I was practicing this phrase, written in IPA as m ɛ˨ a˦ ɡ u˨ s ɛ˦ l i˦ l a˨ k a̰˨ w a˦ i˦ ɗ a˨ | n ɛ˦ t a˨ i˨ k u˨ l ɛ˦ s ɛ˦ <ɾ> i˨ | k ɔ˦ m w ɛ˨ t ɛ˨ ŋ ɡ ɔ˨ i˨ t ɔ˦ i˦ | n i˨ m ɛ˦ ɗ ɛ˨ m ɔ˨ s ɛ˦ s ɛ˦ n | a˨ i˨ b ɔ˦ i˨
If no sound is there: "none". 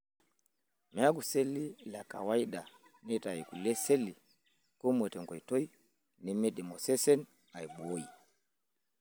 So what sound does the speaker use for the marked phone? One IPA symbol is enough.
l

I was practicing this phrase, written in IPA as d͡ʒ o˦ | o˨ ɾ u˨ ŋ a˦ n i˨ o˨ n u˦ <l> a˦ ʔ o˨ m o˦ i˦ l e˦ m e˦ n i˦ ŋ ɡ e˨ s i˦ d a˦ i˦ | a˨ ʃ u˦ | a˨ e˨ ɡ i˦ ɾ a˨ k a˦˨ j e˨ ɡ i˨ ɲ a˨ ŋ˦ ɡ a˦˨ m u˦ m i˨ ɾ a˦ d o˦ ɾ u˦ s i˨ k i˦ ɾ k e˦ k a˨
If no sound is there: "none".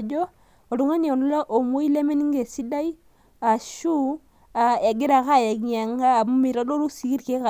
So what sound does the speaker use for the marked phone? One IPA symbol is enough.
l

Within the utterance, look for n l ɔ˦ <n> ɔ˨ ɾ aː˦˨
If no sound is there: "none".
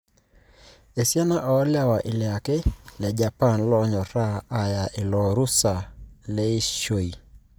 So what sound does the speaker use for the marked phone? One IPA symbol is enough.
ɲ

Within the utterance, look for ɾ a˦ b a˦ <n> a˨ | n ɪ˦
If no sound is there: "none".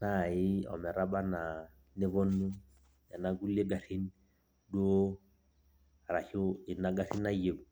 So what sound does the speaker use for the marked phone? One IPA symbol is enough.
n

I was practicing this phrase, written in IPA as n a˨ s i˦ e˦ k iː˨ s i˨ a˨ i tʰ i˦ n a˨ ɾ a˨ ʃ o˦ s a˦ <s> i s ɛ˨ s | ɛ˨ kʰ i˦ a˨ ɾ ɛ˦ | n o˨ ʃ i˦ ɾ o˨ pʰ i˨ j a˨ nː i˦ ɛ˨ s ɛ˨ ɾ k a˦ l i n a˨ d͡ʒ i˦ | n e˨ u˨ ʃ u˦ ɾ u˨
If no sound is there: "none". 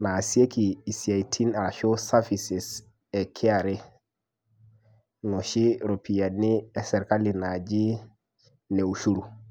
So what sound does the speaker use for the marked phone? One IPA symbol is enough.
f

